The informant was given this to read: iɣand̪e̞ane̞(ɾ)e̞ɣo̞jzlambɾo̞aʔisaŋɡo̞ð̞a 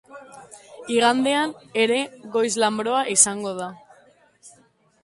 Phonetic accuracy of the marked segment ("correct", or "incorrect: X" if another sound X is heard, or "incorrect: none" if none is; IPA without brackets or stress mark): correct